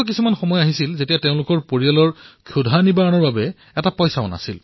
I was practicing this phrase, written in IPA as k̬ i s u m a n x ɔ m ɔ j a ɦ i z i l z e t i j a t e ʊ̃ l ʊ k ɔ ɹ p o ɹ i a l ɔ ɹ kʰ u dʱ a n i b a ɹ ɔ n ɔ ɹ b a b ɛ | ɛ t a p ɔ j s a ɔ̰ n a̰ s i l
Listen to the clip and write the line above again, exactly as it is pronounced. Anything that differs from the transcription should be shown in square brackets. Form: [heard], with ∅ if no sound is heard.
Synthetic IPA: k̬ i s u m a n x ɔ m ɔ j a ɦ i [s] i l z e t i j a t e ʊ̃ l ʊ k ɔ ɹ p o ɹ i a l ɔ ɹ kʰ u dʱ a n i b a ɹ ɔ n ɔ ɹ b a b ɛ | ɛ t a p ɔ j s a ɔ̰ n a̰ s i l